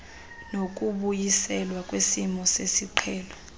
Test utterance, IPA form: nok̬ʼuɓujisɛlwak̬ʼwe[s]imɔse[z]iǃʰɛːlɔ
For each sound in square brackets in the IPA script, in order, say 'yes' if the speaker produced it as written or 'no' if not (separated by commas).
yes, no